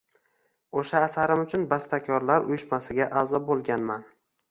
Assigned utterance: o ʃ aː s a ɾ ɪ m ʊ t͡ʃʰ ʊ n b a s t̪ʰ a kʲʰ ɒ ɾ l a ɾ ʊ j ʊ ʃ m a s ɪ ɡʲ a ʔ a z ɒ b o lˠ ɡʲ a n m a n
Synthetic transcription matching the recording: o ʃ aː s a ɾ ɪ m ʊ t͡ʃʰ ʊ n b a s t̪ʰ a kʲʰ ɒ ɾ l a ɾ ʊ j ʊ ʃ m a s ɪ ɡʲ a ʔ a z ɒ b o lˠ ɡʲ a n m a n